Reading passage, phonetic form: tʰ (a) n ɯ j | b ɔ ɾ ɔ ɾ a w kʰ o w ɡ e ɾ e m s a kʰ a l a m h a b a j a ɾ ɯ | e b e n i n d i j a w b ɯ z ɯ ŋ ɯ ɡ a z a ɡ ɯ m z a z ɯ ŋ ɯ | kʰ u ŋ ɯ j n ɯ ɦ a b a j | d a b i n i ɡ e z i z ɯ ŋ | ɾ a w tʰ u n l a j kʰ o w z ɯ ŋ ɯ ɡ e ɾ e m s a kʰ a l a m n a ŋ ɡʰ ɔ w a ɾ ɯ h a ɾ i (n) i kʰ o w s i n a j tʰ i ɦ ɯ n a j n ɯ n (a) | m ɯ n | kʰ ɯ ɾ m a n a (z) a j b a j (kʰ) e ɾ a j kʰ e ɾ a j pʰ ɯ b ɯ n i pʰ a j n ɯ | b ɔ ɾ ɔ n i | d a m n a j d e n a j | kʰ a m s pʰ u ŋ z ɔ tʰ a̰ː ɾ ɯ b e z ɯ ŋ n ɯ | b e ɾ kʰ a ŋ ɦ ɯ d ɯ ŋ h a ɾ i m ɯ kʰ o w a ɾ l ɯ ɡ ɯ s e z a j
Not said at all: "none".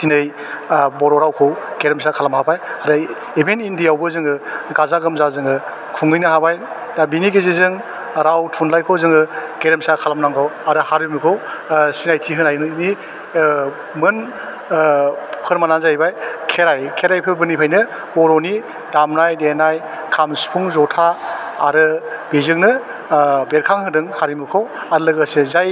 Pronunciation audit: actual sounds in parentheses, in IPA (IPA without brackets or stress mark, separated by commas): i, m, i, z, kʰ